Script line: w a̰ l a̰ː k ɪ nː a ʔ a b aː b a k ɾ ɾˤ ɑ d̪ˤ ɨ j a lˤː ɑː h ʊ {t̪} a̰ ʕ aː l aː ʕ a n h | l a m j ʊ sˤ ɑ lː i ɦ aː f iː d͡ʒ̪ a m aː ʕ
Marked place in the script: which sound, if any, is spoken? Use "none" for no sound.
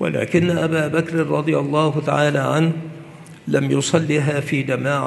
t̪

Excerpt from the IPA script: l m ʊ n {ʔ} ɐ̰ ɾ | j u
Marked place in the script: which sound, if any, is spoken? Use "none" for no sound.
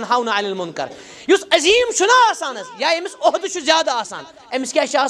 k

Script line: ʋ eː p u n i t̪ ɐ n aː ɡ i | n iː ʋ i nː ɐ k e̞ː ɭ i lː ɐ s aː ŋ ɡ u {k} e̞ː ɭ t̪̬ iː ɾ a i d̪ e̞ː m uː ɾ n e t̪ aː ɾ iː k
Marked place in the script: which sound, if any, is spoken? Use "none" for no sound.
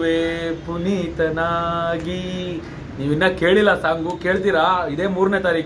k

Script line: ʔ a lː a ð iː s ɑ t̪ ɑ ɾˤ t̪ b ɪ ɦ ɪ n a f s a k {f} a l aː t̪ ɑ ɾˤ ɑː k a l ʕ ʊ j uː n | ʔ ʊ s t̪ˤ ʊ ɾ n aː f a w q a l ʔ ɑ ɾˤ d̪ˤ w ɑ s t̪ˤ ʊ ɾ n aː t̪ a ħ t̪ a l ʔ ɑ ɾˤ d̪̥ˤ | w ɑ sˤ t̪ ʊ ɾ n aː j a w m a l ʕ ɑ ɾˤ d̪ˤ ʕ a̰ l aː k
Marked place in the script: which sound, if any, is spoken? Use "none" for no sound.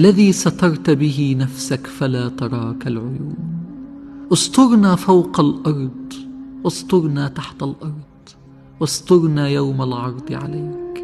f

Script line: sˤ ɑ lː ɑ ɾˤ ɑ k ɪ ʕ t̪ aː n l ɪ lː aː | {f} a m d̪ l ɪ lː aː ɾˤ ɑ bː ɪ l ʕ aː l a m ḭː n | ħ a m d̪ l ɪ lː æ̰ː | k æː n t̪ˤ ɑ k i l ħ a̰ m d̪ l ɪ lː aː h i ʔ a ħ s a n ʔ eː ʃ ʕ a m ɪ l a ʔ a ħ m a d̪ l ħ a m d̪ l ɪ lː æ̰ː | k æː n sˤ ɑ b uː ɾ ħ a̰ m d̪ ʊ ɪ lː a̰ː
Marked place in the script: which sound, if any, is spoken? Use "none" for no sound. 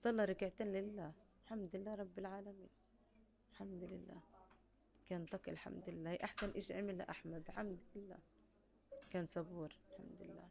ħ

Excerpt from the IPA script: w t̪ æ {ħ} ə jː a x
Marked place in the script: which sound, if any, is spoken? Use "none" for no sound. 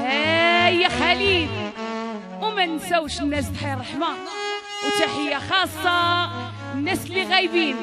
ħ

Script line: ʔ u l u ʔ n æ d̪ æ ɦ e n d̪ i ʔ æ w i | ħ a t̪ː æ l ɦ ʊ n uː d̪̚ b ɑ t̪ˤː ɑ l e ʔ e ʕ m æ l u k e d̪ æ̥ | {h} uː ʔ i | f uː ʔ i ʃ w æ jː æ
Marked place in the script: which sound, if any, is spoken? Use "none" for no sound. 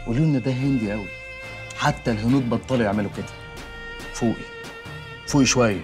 f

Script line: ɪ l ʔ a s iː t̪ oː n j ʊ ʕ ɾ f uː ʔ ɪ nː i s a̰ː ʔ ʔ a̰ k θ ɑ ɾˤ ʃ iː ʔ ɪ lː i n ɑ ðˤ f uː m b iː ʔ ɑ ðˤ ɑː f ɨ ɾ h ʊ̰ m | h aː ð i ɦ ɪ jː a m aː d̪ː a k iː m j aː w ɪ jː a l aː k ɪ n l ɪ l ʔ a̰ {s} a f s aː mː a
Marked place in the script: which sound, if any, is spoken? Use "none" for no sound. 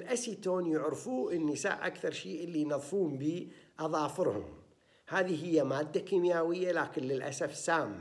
s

